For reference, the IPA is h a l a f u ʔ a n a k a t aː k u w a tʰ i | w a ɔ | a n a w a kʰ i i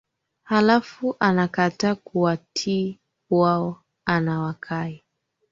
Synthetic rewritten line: h a l a f u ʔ a n a k a t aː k u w a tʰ i | w a ɔ | a n a w a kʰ a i